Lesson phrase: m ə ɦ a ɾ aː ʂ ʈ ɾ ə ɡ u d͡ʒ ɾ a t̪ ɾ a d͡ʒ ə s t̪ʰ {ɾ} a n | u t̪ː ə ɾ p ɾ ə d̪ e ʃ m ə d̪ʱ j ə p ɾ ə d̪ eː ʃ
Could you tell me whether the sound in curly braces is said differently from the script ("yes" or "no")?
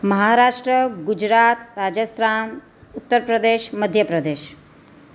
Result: no